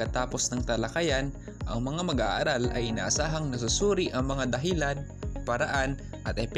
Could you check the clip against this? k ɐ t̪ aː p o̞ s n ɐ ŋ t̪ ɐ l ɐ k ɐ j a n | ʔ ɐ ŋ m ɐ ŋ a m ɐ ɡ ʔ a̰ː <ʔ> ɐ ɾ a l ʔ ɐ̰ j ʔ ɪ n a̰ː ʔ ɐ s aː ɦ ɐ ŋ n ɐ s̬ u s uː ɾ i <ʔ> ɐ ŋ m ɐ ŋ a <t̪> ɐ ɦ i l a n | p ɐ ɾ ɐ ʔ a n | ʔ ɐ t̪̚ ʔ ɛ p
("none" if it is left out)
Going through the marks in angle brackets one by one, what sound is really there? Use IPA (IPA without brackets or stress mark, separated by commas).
ʔ, ʔ, d̪